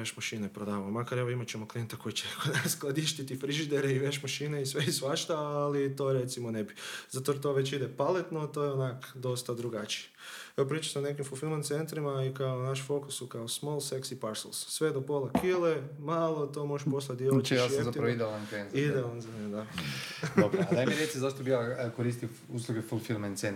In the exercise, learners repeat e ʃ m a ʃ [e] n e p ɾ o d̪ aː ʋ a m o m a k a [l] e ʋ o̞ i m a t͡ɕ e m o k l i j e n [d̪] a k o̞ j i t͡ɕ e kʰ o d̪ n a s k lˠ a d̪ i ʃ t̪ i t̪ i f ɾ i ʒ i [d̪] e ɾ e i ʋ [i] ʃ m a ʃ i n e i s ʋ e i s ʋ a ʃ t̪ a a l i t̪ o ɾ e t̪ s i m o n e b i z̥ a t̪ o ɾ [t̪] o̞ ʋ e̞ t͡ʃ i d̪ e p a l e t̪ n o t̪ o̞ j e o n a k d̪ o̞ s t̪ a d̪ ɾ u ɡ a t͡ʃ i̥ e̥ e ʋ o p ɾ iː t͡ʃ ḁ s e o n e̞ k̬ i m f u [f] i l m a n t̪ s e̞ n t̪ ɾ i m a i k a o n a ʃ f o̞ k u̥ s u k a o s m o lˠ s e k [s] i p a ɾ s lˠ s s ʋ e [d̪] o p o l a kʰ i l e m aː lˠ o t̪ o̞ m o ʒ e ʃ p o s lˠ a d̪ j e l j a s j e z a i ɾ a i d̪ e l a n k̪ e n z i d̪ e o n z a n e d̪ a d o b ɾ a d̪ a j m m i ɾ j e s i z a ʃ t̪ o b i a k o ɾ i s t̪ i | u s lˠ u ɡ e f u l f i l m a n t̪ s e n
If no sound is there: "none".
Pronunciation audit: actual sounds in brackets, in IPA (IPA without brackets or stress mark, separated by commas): i, ɾ, t̪, d̪, e, t̪, f, s, d̪